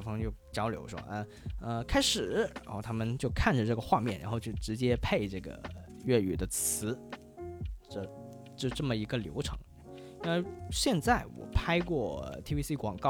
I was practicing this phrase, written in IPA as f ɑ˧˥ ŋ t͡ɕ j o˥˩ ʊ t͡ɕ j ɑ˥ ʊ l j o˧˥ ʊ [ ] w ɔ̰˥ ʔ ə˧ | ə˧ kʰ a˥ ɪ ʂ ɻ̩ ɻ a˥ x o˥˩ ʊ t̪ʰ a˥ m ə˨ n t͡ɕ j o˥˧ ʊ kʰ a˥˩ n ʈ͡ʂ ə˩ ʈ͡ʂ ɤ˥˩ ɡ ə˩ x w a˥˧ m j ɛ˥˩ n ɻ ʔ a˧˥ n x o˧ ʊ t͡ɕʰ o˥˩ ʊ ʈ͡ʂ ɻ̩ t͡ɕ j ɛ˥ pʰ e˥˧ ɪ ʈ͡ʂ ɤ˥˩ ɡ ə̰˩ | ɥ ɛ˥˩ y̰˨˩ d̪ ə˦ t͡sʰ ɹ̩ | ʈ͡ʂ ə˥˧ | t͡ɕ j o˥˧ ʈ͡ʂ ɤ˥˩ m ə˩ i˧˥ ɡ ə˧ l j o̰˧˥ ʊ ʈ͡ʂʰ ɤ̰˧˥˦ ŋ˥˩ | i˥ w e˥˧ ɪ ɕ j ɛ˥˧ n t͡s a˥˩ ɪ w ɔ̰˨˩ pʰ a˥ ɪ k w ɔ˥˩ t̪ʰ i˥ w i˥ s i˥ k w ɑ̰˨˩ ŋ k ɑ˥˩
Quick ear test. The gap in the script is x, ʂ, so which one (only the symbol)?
ʂ